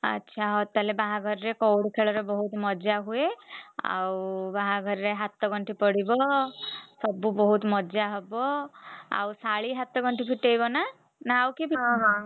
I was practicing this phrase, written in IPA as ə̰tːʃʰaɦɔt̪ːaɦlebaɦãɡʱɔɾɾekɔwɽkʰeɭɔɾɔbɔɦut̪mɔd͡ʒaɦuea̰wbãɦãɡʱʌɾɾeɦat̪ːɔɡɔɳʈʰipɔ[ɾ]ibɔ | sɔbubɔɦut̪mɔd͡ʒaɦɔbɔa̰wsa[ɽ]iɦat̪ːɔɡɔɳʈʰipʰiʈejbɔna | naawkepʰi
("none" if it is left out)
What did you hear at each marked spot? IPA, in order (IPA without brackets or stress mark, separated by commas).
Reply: ɽ, ɭ